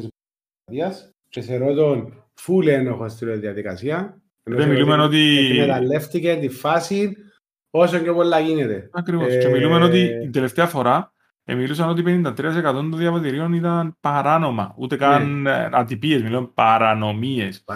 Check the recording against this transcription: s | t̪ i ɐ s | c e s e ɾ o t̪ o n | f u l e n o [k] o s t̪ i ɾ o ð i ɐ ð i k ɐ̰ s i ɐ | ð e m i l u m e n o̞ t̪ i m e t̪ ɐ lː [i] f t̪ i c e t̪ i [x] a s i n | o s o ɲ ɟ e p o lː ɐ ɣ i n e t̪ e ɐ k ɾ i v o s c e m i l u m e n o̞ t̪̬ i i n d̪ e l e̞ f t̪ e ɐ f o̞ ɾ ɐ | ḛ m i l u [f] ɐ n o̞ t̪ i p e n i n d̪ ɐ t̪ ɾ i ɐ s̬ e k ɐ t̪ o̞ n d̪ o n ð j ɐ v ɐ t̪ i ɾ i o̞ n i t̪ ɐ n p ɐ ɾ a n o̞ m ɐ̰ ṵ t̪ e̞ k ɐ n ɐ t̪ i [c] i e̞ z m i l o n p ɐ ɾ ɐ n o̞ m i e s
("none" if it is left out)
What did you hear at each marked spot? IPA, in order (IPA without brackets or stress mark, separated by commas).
x, e, f, s, p